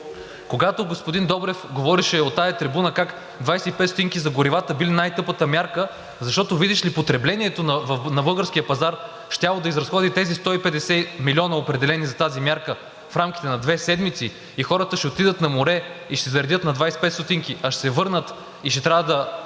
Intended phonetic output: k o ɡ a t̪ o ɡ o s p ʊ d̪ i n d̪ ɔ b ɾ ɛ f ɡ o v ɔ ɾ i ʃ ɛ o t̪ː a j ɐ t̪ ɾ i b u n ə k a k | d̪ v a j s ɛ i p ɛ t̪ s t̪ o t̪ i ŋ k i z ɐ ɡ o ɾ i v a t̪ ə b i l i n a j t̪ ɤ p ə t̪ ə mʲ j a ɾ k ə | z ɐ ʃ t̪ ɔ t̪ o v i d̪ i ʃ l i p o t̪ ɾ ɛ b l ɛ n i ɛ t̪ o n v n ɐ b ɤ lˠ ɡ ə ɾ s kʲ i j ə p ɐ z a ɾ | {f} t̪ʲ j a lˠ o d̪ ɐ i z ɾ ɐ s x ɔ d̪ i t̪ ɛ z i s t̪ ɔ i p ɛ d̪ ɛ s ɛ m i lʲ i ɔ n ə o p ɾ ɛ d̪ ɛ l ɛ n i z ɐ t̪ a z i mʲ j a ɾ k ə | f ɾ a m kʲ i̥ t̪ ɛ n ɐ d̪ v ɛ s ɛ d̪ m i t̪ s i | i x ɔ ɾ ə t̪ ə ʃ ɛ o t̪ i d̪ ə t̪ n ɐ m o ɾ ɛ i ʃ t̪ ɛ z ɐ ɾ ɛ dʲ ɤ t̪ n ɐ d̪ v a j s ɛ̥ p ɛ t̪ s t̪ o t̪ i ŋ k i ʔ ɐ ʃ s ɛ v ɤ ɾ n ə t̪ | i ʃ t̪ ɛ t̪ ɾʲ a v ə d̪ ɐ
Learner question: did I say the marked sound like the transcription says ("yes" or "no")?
no